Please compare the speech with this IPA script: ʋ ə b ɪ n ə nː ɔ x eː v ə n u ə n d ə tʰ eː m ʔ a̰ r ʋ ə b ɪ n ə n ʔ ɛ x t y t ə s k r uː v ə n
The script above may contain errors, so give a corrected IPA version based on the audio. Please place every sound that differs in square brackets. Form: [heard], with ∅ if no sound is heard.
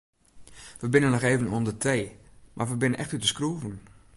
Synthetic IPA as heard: ʋ ə b ɪ n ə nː ɔ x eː v ə n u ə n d ə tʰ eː m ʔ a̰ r ʋ ə b ɪ n ə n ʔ ɛ x t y t ə s k r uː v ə n